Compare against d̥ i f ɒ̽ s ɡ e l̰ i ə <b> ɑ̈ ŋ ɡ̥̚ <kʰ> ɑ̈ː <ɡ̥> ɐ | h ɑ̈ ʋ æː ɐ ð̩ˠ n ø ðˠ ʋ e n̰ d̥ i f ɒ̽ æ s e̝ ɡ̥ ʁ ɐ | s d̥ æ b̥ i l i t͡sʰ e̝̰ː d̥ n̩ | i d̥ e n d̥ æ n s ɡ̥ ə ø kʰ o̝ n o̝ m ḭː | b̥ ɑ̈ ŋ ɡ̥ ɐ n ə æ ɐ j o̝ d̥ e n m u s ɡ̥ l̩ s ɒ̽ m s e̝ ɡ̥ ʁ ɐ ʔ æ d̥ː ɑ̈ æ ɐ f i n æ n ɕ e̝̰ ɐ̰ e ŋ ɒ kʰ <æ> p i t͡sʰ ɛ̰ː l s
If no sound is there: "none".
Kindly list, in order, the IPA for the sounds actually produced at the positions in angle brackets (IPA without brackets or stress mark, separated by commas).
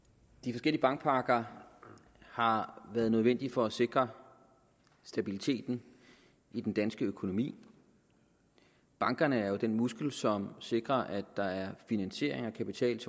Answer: b, pʰ, ɡ̥, æ